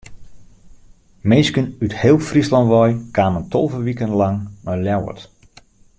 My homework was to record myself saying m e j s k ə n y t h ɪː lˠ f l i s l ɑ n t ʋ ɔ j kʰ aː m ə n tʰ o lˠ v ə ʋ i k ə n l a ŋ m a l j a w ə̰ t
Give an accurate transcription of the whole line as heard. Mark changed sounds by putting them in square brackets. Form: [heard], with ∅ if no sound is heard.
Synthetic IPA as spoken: m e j s k ə n y t h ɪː lˠ f [r] i s l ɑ n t ʋ ɔ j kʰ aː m ə n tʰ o lˠ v ə ʋ i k ə n l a ŋ m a l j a w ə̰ t